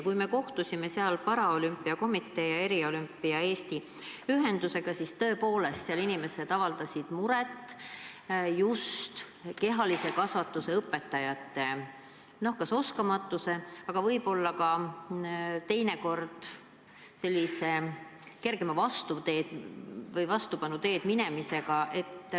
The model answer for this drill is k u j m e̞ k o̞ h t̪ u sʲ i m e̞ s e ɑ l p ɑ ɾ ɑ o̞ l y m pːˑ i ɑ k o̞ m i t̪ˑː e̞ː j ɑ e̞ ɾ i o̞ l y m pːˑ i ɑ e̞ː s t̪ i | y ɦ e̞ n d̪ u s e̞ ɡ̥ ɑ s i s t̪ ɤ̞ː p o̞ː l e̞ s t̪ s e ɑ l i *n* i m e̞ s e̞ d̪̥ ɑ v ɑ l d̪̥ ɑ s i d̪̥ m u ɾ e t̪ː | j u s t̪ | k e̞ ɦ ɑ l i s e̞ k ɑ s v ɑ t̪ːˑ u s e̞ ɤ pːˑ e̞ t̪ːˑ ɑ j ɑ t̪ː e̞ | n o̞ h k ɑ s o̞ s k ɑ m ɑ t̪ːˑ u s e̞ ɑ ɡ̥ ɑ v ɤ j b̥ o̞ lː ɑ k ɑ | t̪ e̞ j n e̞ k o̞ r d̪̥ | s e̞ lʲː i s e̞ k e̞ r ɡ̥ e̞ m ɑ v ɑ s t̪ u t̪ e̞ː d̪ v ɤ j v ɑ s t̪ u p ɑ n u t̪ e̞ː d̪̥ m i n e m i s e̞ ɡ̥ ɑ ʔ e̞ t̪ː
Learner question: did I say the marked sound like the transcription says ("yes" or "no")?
yes